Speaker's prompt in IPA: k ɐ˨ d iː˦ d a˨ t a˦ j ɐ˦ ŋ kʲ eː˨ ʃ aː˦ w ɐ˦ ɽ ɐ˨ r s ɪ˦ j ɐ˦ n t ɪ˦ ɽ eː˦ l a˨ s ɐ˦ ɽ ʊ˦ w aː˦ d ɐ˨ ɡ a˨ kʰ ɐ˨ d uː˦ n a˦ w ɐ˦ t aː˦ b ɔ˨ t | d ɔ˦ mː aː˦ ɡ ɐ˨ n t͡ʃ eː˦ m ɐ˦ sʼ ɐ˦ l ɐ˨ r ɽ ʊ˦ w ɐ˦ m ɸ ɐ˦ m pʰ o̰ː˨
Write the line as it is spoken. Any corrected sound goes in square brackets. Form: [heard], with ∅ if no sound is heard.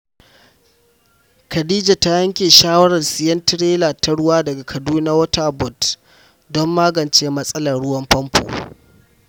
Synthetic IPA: k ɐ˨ d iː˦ [d͡ʒ] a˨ t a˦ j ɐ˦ ŋ kʲ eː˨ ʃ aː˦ w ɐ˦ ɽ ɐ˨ r s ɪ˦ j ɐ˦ n t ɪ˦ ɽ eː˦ l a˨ [t] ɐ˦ ɽ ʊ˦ w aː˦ d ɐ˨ ɡ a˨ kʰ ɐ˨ d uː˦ n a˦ w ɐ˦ t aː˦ b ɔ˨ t | d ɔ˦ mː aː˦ ɡ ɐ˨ n t͡ʃ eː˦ m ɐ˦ sʼ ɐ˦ l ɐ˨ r ɽ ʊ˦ w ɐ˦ m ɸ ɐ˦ m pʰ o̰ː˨